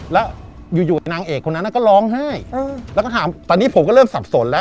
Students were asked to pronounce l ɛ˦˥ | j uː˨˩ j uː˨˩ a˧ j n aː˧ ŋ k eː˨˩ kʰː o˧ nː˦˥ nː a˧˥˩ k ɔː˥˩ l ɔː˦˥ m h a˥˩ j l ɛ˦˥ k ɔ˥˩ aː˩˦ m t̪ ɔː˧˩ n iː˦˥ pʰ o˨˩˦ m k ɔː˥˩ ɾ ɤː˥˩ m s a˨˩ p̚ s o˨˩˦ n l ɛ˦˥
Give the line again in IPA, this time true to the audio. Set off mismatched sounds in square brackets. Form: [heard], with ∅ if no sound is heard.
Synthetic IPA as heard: l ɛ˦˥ | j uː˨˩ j uː˨˩ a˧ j n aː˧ ŋ [ʔ] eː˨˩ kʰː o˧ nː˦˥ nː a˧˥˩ k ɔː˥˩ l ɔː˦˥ [ŋ] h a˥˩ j l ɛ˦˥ k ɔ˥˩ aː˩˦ m t̪ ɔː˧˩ n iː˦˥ pʰ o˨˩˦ m k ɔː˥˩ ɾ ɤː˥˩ m s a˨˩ p̚ s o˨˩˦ n l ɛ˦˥